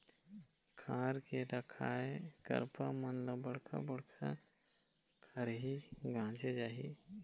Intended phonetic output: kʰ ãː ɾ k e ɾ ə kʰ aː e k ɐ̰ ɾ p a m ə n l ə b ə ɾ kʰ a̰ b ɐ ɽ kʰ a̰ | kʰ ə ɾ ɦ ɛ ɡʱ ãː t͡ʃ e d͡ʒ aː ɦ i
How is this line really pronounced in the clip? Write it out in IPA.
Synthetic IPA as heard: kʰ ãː ɾ k e ɾ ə kʰ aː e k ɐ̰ ɾ p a m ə n l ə b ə ɽ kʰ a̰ b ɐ ɽ kʰ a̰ | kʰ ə ɾ ɦ i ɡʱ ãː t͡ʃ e d͡ʒ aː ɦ i